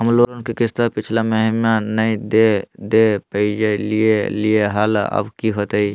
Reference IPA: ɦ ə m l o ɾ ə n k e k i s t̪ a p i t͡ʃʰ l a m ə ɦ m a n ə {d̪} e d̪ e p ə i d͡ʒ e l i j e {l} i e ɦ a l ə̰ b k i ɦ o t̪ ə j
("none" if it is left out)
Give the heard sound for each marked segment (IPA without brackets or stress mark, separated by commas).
d̪, l